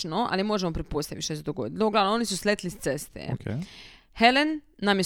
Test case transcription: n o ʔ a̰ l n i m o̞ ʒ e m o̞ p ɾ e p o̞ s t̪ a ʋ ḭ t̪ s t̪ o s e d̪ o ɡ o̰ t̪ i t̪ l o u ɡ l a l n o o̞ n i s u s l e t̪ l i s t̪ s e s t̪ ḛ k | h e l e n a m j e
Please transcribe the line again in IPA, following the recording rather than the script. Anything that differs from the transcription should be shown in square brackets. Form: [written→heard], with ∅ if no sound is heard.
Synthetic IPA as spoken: n o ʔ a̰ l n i m o̞ ʒ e m o̞ p ɾ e p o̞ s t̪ a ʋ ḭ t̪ [s→ʃ] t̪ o s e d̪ o ɡ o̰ [t̪→d̪] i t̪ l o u ɡ l a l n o o̞ n i s u s l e t̪ l i s t̪ s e s t̪ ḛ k | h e l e [n→nː] a m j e